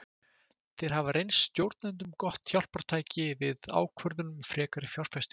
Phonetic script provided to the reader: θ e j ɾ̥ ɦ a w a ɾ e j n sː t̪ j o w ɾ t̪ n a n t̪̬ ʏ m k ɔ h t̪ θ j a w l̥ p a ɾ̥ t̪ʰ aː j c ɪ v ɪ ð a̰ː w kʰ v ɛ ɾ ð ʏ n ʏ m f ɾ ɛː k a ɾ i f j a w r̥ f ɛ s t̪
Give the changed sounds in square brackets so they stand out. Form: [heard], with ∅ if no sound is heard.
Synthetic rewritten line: θ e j ɾ̥ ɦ a [v] a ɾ e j n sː t̪ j o w ɾ t̪ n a n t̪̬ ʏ m k ɔ h t̪ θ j a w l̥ p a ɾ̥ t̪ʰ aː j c ɪ v ɪ ð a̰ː w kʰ v [œ] ɾ ð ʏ n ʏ m f ɾ ɛː k a ɾ [ɪ] f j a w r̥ f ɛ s t̪